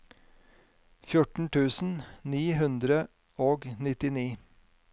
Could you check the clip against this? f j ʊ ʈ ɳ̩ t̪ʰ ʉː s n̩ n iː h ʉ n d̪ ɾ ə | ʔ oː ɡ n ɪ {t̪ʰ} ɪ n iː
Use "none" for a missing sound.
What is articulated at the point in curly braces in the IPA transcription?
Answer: t̪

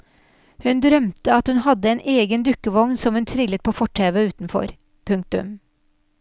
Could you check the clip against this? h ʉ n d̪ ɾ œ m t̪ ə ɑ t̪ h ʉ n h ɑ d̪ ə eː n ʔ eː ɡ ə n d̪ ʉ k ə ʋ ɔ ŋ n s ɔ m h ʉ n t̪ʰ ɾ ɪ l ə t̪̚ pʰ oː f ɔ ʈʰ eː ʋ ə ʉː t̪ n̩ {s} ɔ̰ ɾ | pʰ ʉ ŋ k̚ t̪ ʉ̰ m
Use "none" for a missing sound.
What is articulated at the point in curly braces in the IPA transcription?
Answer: f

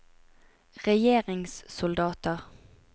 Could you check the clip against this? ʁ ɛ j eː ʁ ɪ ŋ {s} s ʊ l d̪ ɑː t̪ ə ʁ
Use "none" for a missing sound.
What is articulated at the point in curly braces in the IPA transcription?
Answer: s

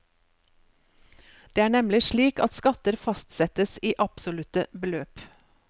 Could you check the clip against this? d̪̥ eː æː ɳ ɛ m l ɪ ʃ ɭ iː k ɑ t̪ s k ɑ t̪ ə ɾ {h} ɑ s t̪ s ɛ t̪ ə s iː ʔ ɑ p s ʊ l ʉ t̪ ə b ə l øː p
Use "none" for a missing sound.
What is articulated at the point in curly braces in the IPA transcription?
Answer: f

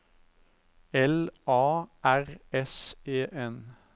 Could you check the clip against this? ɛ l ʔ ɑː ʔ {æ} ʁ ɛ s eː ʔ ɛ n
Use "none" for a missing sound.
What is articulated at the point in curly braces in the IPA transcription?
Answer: æ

